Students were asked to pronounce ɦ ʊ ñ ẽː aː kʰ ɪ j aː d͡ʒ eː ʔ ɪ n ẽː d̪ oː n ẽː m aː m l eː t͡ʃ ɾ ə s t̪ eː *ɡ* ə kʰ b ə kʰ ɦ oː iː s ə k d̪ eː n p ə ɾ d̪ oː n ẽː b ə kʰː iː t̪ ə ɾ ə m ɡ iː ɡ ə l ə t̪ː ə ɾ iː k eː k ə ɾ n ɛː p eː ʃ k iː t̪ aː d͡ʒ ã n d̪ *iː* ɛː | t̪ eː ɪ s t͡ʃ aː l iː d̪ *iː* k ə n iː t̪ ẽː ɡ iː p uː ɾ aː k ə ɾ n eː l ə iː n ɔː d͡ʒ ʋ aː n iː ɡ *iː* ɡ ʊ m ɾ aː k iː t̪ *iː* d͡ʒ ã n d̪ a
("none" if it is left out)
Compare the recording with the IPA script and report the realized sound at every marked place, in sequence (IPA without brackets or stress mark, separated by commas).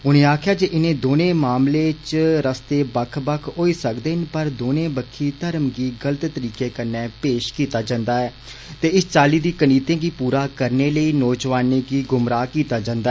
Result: b, aː, iː, iː, aː